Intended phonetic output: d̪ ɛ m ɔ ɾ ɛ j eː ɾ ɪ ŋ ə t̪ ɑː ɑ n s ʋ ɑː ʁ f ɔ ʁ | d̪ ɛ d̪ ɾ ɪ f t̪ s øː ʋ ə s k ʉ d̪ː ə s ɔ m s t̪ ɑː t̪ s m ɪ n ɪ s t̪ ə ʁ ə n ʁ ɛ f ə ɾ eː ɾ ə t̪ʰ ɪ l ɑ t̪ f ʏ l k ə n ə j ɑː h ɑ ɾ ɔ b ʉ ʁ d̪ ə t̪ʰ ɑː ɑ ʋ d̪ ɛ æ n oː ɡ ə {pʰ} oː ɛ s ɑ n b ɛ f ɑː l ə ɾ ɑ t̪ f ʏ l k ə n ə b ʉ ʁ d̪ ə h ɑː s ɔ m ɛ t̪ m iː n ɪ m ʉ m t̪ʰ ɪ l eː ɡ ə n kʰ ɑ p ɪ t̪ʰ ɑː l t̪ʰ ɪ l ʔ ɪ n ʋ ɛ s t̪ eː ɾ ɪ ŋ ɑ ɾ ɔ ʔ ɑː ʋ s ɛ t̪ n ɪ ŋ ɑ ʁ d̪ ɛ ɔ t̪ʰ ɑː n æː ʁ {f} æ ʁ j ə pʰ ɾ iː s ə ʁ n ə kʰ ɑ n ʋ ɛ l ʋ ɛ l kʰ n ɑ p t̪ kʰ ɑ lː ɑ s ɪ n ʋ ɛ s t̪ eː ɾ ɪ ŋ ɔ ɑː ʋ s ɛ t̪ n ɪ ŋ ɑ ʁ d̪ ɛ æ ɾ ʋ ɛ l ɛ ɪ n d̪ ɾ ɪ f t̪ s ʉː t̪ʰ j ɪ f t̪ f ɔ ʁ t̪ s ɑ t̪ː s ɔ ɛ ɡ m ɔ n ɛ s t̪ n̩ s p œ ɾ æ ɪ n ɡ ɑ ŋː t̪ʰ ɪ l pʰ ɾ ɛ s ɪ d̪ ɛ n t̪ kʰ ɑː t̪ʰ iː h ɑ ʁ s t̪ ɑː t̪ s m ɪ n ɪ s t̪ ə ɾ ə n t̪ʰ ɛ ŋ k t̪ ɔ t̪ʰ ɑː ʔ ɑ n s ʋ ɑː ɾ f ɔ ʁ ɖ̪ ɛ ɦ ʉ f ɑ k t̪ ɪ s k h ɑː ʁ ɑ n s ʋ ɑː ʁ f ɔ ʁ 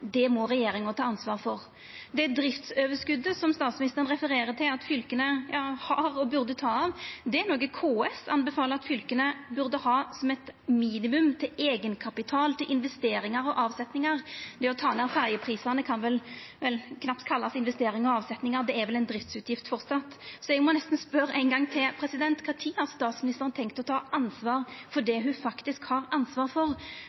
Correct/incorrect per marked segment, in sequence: incorrect: kʰ, correct

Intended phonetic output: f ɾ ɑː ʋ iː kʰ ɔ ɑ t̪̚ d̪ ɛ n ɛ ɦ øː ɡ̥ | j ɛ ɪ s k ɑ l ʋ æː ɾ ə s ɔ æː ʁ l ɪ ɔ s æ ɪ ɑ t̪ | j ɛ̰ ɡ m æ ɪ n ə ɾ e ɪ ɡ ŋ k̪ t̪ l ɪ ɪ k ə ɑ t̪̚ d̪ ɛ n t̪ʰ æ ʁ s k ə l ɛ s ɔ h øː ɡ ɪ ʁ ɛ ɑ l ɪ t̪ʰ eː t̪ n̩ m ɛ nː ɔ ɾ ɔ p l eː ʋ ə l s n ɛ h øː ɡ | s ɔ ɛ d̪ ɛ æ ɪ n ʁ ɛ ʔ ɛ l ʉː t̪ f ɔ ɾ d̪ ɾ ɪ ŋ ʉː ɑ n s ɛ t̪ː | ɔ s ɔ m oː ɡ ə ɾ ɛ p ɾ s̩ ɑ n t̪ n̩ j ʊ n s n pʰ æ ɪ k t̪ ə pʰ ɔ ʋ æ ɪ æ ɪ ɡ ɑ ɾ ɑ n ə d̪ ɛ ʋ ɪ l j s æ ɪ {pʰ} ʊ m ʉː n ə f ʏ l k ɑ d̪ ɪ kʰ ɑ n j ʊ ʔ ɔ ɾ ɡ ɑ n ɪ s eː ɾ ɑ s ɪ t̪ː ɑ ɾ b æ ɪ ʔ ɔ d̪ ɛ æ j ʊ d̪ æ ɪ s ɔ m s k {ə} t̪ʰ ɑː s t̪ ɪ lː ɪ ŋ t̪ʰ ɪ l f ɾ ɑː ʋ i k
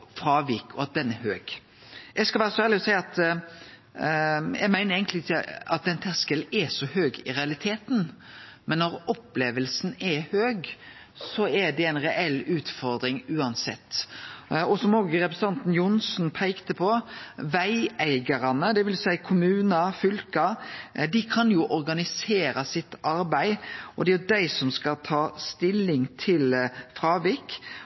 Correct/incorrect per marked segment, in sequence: incorrect: kʰ, incorrect: ɑ

